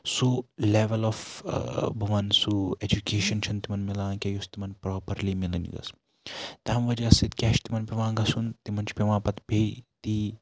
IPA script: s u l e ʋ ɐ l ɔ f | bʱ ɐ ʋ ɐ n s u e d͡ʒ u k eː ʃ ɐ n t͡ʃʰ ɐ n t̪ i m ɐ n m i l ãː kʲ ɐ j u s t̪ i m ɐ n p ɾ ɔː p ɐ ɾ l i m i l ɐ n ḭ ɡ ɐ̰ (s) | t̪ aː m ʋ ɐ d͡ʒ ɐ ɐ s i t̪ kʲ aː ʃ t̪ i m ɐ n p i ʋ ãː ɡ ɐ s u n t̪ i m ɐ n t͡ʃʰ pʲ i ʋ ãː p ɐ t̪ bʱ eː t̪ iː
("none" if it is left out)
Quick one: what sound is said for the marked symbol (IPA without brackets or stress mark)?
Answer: s